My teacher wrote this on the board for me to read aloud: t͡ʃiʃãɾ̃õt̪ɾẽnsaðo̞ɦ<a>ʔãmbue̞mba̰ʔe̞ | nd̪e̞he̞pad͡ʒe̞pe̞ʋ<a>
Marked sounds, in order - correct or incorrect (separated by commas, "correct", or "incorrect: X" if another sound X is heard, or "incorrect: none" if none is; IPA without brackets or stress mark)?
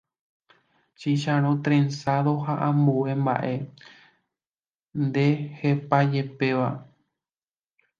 correct, correct